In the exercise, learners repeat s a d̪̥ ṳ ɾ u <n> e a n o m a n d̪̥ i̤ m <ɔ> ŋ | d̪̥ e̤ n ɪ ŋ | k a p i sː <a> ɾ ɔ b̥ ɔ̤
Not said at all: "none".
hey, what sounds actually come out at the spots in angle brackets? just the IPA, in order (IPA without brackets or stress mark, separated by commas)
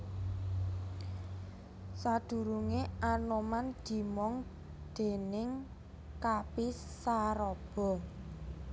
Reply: ŋ, ɔ, a